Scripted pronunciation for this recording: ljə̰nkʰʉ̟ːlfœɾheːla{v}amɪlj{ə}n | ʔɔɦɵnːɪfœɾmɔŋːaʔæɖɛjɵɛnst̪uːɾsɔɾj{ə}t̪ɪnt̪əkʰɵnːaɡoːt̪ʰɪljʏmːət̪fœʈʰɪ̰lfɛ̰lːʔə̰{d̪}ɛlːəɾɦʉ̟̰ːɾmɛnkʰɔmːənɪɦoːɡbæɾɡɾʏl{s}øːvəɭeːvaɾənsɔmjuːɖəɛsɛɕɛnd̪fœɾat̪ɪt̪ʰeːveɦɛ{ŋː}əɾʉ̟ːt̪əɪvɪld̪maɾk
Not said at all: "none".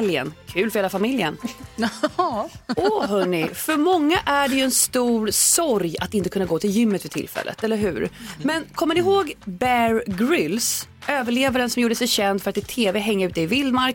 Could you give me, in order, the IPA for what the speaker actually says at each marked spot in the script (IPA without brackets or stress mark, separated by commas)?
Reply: f, ə, a, t̪, s, ŋː